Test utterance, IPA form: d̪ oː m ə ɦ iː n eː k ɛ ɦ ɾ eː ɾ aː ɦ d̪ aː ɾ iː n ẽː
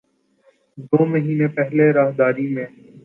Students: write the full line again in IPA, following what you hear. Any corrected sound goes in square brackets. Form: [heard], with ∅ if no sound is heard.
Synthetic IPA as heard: d̪ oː m ə ɦ iː n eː [p] ɛ ɦ [l] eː ɾ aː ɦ d̪ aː ɾ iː [m] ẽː